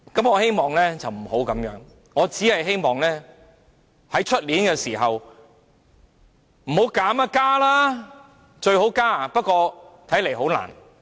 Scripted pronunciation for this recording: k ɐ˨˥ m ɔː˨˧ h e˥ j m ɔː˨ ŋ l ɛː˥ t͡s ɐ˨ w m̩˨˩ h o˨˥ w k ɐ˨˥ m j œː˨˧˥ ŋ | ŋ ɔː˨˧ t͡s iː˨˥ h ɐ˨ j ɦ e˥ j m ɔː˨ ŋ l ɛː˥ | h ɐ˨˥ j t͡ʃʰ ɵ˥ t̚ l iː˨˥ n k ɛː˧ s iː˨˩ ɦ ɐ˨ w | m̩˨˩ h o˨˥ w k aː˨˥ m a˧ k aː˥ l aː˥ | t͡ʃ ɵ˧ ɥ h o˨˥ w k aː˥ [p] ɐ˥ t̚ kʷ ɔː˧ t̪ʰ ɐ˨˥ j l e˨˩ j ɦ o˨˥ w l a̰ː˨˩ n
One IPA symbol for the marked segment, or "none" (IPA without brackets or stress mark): p